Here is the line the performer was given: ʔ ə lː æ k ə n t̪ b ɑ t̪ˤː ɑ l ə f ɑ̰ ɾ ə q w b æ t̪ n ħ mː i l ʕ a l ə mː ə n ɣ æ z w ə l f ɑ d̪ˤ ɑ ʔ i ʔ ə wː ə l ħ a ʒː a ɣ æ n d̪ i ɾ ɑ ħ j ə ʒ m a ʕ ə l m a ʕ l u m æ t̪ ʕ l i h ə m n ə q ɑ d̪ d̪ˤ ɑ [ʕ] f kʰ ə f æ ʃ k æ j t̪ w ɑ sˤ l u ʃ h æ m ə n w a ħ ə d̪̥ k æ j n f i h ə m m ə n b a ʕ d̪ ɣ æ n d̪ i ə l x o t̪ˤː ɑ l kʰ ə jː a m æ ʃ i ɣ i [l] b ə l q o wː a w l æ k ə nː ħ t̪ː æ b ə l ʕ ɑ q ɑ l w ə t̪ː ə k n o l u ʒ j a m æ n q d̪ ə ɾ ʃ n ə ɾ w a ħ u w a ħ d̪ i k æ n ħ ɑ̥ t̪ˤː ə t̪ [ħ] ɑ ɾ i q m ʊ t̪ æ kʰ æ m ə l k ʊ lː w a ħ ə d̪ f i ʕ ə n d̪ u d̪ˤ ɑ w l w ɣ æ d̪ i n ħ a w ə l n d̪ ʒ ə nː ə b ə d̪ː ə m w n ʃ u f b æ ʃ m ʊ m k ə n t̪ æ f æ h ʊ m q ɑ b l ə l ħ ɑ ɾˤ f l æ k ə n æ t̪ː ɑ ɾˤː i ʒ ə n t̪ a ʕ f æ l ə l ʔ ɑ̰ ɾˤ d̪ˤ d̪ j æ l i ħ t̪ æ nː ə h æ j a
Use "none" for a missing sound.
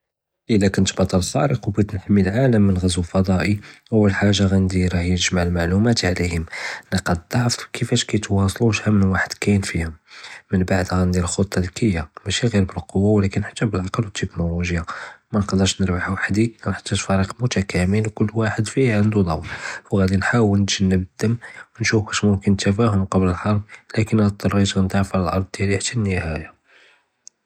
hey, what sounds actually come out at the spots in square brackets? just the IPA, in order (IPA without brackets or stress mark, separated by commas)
ʕ, ɾ, f